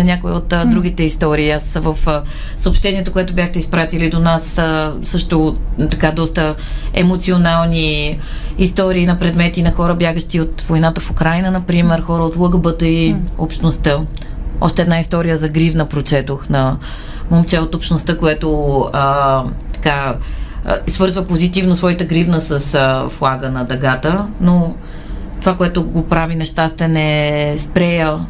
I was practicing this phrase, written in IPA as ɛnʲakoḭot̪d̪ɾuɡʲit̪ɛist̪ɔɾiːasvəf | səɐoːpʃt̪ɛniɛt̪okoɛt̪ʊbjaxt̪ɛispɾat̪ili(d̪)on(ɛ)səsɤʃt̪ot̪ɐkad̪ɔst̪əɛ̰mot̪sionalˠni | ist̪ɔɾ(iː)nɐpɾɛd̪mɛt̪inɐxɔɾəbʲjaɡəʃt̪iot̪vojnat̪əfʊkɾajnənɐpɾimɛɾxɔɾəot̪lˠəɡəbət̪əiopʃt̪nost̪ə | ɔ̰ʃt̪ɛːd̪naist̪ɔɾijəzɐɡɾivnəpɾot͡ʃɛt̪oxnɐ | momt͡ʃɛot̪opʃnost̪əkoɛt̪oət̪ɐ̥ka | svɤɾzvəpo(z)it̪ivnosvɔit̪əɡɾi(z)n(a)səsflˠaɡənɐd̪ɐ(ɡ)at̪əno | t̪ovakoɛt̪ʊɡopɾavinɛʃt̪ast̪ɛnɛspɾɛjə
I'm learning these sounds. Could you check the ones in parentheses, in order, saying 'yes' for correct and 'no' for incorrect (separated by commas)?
yes, no, yes, yes, no, no, yes